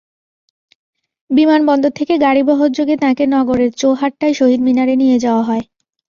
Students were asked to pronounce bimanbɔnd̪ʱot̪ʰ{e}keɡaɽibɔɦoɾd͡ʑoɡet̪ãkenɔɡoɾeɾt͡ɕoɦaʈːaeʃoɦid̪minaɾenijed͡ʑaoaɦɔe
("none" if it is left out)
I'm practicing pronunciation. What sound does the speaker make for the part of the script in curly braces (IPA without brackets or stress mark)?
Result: e